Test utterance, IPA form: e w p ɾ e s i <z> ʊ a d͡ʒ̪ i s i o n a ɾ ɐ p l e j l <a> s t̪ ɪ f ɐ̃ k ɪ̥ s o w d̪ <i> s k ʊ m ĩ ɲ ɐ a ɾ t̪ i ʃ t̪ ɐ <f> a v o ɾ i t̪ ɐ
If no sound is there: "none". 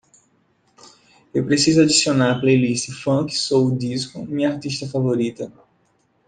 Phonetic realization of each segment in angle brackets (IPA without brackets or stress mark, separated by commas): z, i, i, f